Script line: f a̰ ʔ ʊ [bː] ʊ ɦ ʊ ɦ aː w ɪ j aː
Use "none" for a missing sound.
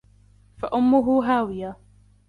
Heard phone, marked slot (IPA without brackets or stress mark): mː